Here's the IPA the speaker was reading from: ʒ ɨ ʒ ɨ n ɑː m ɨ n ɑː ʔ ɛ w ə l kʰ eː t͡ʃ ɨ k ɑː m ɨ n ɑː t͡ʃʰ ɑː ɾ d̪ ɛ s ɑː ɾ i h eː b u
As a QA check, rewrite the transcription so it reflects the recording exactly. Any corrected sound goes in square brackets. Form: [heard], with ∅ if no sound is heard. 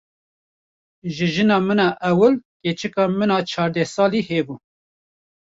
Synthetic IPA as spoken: ʒ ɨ ʒ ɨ n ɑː m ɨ n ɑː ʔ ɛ w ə l [k] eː t͡ʃ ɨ k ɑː m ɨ n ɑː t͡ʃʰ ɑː ɾ d̪ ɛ s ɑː [l] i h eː b u